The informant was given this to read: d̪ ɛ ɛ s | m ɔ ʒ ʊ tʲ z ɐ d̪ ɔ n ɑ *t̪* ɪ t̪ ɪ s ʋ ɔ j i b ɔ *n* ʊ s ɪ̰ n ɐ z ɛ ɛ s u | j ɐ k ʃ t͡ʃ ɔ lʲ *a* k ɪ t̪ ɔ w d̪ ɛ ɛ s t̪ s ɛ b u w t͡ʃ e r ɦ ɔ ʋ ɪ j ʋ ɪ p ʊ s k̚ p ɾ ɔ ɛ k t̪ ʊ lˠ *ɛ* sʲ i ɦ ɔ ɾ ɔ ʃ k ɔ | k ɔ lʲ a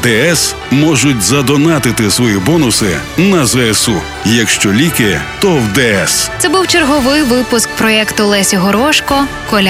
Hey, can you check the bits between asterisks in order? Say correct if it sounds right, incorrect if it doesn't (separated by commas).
correct, correct, incorrect, correct